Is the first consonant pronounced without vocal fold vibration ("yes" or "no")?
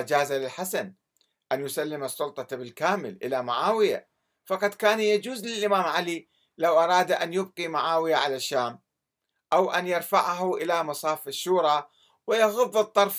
no